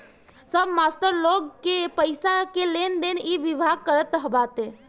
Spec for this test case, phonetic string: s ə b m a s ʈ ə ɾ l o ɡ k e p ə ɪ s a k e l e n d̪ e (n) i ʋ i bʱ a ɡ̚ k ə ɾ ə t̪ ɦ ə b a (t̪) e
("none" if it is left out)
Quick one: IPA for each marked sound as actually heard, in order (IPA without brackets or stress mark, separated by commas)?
n, t̪